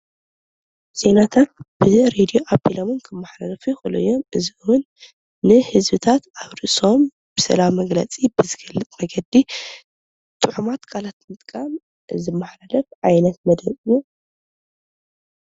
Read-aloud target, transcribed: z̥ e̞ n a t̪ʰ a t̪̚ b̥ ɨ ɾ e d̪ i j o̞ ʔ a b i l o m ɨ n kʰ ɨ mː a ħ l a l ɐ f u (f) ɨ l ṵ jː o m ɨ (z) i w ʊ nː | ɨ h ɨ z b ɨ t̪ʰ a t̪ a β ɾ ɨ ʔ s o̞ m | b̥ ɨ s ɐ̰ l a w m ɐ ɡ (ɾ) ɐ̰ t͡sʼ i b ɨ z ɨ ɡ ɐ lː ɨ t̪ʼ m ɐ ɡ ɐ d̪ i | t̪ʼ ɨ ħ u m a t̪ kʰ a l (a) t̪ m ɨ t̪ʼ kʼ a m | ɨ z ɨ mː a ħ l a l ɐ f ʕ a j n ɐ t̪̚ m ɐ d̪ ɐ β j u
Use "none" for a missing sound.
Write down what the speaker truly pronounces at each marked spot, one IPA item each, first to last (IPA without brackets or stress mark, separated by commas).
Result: x, z, l, a